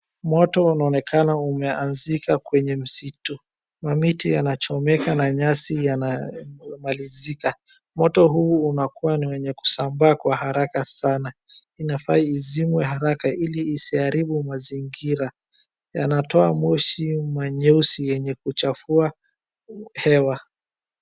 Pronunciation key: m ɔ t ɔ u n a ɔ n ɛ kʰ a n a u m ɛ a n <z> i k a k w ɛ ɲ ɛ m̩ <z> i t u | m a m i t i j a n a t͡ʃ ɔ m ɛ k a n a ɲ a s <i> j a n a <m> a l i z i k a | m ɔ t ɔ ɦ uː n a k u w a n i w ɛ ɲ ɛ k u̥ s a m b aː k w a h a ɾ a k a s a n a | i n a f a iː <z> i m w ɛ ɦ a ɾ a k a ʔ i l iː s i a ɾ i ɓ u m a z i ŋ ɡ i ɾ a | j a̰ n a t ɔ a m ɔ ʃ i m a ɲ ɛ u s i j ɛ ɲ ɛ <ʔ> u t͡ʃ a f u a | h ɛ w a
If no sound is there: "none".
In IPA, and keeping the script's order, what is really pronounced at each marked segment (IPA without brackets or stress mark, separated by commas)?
z, s, i, m, z, k